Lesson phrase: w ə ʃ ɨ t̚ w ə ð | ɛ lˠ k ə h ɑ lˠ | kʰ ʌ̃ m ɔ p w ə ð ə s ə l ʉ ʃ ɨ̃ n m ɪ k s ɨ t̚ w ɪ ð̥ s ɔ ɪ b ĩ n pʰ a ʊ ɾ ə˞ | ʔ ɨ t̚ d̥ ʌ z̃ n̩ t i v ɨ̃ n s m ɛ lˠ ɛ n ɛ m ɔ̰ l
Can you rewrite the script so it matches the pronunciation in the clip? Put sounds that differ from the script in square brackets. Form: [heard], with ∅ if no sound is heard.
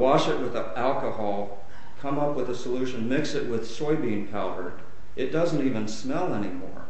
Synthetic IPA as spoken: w [ɑ] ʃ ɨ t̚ w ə ð | [æ] lˠ k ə h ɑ lˠ | kʰ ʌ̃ m [ʌ] p w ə ð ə s ə l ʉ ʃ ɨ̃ n m ɪ k s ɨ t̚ w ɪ ð̥ s ɔ ɪ b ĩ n pʰ a ʊ ɾ ə˞ | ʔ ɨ t̚ d̥ ʌ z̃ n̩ t i v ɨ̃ n s m ɛ lˠ ɛ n [i] m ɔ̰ [ɹ]